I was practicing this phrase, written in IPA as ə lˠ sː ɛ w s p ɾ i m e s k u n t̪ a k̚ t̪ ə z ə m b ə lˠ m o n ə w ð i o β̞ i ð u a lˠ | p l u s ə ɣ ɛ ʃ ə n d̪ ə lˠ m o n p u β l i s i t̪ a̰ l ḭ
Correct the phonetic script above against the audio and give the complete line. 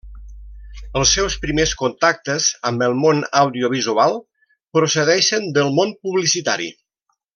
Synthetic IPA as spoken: ə lˠ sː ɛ w s p ɾ i m e s k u n t̪ a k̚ t̪ ə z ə m b ə lˠ m o n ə w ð i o β̞ i z u a lˠ | p ɾ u s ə ð ɛ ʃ ə n d̪ ə lˠ m o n p u β l i s i t̪ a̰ ɾ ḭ